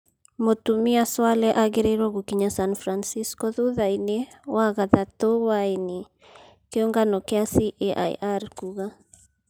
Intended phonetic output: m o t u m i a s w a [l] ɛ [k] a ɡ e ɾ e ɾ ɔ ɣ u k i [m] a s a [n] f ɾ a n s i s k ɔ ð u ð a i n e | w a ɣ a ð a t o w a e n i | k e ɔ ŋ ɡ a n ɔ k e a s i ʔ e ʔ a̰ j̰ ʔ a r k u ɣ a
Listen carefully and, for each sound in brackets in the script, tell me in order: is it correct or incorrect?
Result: correct, incorrect: ʔ, incorrect: ɲ, correct

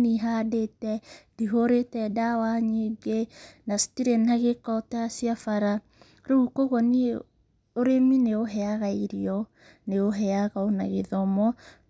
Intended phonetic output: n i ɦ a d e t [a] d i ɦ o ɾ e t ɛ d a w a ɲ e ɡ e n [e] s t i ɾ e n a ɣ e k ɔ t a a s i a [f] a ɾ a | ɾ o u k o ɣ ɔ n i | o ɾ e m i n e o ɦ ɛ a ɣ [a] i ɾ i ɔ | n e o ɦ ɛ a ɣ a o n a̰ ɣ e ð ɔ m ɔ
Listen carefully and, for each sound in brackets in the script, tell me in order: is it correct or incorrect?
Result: incorrect: ɛ, incorrect: a, correct, correct

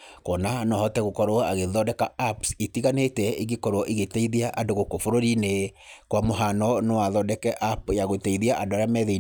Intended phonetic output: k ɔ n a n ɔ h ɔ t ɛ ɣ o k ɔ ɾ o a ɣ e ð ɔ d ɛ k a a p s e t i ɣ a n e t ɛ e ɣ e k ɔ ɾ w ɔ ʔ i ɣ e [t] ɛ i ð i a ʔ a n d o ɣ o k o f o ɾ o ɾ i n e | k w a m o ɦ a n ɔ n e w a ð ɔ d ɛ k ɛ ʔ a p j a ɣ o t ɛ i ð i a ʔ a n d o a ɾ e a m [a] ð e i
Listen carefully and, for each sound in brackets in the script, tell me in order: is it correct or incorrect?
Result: correct, incorrect: ɛ

